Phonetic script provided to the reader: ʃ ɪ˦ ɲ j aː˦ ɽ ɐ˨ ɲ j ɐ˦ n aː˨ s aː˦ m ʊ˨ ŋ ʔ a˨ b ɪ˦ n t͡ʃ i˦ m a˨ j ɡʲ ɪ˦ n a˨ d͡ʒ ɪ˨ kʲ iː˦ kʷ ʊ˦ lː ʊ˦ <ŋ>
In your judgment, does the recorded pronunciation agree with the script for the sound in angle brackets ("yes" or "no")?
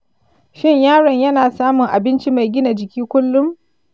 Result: no